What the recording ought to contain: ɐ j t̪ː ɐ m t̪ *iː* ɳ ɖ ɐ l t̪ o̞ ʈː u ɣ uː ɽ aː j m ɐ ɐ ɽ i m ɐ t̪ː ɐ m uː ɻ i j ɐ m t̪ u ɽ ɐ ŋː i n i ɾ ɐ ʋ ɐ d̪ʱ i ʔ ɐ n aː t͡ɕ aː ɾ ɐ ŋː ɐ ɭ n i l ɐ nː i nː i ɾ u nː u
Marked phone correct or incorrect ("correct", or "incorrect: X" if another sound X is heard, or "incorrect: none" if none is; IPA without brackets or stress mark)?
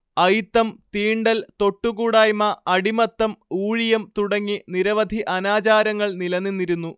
correct